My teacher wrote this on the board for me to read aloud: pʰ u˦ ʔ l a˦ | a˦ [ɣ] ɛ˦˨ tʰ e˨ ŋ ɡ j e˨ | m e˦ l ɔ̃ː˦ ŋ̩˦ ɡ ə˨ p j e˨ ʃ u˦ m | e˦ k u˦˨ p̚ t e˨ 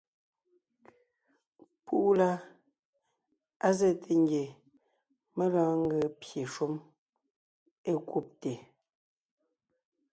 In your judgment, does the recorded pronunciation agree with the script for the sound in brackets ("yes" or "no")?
no